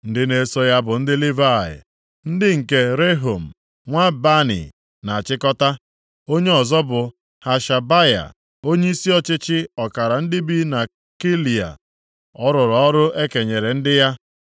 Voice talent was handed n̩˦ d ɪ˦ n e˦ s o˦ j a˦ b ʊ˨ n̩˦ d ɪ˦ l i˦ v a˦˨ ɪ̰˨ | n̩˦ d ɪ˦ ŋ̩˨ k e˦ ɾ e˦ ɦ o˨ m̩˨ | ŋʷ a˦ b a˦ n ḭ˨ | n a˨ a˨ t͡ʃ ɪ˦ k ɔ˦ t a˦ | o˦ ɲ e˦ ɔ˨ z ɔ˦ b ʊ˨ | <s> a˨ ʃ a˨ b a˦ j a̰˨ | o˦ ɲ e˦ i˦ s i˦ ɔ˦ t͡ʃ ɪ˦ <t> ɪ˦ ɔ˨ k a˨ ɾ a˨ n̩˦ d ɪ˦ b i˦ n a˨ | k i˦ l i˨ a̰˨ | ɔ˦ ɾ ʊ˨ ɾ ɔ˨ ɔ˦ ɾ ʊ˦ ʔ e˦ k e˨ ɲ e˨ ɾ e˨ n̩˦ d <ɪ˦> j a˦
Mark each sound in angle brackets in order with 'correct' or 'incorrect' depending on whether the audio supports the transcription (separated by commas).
incorrect, incorrect, correct